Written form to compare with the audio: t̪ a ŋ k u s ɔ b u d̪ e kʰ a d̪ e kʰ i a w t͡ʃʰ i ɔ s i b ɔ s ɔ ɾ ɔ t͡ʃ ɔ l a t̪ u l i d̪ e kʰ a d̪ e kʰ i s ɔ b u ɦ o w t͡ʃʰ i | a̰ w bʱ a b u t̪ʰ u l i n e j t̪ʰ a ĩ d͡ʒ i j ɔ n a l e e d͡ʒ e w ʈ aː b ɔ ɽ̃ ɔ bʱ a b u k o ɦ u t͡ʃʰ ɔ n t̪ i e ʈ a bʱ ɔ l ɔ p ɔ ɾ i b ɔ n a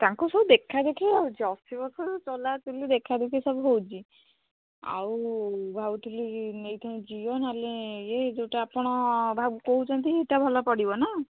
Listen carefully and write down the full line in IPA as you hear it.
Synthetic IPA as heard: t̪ a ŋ k u s ɔ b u d̪ e kʰ a d̪ e kʰ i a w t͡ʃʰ i ɔ s i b ɔ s ɔ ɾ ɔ t͡ʃ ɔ l a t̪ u l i d̪ e kʰ a d̪ e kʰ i s ɔ b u ɦ o w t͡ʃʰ i | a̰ w bʱ a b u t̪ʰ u l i n e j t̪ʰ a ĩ d͡ʒ i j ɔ n a l e e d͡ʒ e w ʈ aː p ɔ ɽ̃ ɔ bʱ a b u k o ɦ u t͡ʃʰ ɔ n t̪ i e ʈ a bʱ ɔ l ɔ p ɔ ɽ i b ɔ n a

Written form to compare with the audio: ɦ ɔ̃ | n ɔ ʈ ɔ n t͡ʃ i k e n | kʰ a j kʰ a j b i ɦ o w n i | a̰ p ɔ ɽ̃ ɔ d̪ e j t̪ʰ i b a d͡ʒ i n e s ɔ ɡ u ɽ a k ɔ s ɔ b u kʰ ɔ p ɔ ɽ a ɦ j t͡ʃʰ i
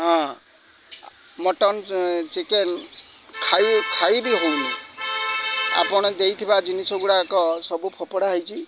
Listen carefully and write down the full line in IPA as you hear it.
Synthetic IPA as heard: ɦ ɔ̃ | m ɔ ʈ ɔ n t͡ʃ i k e n | kʰ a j kʰ a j b i ɦ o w n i | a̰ p ɔ ɽ̃ ɔ d̪ e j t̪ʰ i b a d͡ʒ i n i s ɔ ɡ u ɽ a k ɔ s ɔ b u pʰ ɔ p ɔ ɽ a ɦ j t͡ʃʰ i

